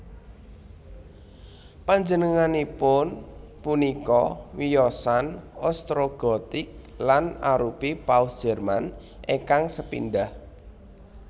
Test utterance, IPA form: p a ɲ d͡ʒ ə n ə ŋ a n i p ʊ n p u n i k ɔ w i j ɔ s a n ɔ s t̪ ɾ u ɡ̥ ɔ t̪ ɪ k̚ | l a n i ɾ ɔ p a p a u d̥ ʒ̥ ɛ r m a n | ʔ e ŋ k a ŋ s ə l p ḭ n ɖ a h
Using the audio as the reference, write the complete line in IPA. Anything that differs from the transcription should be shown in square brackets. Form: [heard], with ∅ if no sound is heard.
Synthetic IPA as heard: p a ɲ d͡ʒ ə n ə ŋ a n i p ʊ n p u n i k ɔ w i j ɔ s a n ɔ s t̪ ɾ [o] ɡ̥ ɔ t̪ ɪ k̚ | l a n [a] ɾ [u] p [i] p a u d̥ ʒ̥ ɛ r m a n | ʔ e ŋ k a ŋ s ə [∅] p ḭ n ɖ a h